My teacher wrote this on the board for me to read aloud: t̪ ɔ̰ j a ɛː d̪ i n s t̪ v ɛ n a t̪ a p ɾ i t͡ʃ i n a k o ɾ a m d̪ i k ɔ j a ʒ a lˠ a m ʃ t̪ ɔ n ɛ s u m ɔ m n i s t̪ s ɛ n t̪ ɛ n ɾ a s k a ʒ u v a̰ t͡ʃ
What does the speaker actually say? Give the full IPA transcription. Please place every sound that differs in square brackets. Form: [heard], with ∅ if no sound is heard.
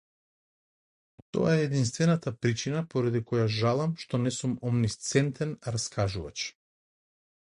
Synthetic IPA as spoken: t̪ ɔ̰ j a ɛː d̪ i n s t̪ v ɛ n a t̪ a p ɾ i t͡ʃ i n a [p] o ɾ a [∅] d̪ i k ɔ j a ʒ a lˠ a m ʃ t̪ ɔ n ɛ s u m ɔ m n i s t̪ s ɛ n t̪ ɛ n ɾ a s k a ʒ u v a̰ t͡ʃ